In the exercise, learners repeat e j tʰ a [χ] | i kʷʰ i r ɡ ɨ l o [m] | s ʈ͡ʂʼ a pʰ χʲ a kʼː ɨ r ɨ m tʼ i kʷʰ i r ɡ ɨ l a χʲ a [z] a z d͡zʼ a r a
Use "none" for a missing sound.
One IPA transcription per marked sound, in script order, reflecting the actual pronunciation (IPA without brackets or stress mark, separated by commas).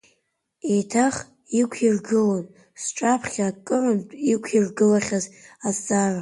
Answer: χ, n, z